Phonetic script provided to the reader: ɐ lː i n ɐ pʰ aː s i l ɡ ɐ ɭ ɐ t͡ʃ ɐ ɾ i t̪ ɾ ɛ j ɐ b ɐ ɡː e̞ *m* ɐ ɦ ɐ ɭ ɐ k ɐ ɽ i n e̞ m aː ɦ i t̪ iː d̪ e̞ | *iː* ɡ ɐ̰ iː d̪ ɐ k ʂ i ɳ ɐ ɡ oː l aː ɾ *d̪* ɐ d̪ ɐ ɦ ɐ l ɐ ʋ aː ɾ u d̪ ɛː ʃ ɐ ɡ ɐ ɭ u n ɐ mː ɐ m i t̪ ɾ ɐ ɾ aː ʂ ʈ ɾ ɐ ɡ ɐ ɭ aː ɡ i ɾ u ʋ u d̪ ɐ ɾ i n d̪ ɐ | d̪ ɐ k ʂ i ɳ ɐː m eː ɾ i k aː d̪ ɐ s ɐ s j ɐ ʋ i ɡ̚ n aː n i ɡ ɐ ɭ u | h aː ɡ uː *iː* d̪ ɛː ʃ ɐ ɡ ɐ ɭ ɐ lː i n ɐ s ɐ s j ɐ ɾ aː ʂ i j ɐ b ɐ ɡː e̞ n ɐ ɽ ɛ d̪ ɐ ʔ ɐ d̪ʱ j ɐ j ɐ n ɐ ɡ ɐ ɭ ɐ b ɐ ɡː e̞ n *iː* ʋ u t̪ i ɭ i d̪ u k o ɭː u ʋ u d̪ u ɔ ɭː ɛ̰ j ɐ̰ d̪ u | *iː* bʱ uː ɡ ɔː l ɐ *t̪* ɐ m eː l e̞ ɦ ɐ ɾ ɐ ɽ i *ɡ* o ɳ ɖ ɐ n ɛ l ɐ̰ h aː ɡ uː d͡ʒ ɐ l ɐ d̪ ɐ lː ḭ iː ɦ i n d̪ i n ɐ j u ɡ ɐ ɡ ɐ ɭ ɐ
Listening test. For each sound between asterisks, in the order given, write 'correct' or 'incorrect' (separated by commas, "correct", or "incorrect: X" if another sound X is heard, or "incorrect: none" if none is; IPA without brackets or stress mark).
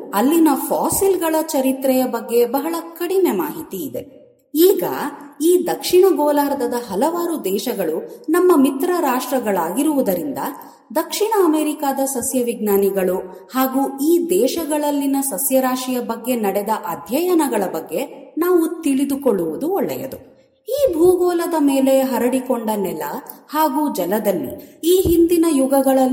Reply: incorrect: b, correct, correct, correct, incorrect: aː, correct, incorrect: d̪, incorrect: k